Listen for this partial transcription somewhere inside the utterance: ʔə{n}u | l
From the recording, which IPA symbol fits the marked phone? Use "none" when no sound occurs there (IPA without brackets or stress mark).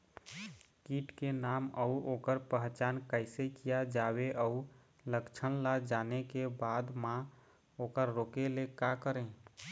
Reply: none